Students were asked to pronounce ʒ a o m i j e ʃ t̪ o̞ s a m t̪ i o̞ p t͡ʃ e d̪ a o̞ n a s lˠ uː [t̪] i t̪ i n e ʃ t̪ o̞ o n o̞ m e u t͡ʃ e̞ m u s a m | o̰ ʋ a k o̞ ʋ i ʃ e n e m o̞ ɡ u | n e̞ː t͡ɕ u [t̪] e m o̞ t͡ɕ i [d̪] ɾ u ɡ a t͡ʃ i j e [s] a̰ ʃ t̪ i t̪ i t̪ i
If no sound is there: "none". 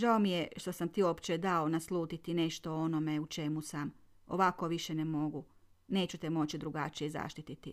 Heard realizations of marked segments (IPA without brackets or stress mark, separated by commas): t̪, t̪, d̪, z